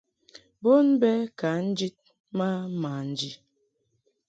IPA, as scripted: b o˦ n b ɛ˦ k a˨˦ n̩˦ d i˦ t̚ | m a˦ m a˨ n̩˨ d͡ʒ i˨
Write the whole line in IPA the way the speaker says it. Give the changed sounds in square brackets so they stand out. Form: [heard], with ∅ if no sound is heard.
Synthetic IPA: b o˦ n b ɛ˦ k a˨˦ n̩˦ [d͡ʒ] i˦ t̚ | m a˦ m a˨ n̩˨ d͡ʒ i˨